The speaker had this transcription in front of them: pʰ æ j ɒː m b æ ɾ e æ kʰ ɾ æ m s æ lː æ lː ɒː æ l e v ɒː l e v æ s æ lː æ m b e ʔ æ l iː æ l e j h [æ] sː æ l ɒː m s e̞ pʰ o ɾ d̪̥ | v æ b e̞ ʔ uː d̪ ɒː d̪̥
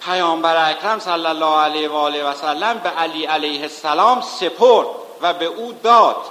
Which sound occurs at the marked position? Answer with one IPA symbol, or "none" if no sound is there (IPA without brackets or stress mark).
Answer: e